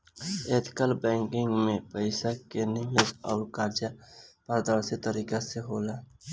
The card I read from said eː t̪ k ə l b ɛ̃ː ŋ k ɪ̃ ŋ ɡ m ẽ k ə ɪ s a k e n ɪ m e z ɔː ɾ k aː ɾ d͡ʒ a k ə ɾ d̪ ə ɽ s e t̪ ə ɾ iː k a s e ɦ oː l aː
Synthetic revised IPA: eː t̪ k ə l b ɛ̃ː ŋ k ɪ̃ ŋ ɡ m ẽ p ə ɪ s a k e n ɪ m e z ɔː ɾ k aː ɾ d͡ʒ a p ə ɾ d̪ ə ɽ s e t̪ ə ɾ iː k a s e ɦ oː l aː

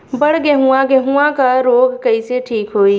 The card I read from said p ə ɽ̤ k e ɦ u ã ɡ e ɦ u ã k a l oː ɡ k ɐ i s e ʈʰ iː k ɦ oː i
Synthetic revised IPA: b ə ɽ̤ ɡ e ɦ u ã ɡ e ɦ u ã k a ɾ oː ɡ k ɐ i s e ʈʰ iː k ɦ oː i

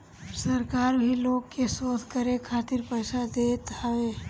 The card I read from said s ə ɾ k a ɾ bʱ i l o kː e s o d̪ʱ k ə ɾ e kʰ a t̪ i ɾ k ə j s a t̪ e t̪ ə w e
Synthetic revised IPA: s ə ɾ k a ɾ bʱ i l o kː e s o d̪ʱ k ə ɾ e kʰ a t̪ i ɾ p ə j s a d̪ e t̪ a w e

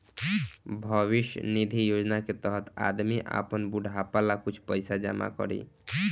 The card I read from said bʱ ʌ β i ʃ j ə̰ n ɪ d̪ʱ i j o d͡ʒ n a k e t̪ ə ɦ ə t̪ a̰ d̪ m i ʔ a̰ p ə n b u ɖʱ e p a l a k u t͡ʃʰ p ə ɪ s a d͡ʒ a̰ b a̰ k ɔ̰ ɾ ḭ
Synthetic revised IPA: bʱ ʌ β i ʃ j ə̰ n i d̪ʱ i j o d͡ʒ n a k e t̪ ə ɦ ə t̪ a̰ d̪ m i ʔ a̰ p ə n b u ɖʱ a p a l a k u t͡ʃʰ p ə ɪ s a d͡ʒ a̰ m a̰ k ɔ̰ ɾ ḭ

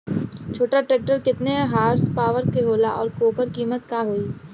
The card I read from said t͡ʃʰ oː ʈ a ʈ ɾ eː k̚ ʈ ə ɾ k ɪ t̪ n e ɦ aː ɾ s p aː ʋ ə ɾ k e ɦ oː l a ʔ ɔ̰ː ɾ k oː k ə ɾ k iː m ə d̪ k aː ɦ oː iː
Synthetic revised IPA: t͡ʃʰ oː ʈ a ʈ ɾ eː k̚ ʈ ə ɾ k ɪ t̪ n e ɦ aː ɾ s p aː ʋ ə ɾ k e ɦ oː l a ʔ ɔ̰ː ɾ k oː k ə ɾ k iː m ə t̪ k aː ɦ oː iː

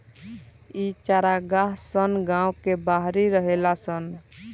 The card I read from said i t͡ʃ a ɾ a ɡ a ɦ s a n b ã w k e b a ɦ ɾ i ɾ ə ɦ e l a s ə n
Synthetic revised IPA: i t͡ʃ a ɾ a ɡ a ɦ s ə n ɡ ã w k e b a ɦ ɾ i ɾ ə ɦ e l a s ə n

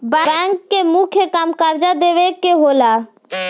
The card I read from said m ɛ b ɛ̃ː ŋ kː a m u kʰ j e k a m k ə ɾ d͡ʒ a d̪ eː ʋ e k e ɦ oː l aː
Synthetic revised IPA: b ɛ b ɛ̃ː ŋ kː e m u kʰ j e k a m k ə ɾ d͡ʒ a d̪ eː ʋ e k e ɦ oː l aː

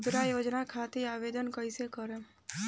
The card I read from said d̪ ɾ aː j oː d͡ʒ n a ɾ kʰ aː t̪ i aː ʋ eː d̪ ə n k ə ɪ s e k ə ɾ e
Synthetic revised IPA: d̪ ɾ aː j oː d͡ʒ n a kʰ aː t̪ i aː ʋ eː d̪ ə n k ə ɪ s e k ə ɾ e

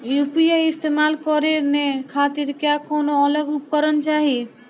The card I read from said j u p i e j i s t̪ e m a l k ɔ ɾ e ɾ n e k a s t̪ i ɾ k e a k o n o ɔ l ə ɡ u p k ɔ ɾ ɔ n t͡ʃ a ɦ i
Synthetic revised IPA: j u p i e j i s t̪ e m a l k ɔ ɾ e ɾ n e kʰ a t̪ i ɾ k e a k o n o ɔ l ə ɡ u p k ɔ ɾ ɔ n t͡ʃ a ɦ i

